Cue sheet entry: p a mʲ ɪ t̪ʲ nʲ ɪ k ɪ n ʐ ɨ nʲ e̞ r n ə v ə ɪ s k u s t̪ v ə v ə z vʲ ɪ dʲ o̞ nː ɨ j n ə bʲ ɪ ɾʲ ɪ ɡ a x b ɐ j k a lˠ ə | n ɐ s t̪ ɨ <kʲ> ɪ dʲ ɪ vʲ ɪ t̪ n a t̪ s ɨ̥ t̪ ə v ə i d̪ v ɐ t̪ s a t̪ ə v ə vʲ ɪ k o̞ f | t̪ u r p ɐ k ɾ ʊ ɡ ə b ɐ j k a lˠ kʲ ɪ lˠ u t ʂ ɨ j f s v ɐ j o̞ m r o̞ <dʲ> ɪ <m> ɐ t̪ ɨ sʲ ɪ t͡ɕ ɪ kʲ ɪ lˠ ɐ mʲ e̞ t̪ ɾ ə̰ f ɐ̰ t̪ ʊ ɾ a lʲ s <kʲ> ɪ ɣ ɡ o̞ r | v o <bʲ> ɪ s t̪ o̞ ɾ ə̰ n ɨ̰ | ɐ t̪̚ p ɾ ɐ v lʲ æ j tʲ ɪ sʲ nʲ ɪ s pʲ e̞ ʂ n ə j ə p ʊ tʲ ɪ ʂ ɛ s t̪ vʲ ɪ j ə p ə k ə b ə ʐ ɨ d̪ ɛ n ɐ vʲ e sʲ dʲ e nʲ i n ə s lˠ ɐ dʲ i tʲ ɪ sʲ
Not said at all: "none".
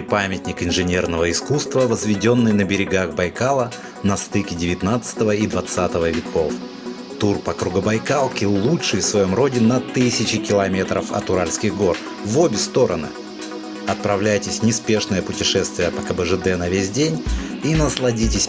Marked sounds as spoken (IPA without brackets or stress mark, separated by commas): kʲ, dʲ, n, kʲ, bʲ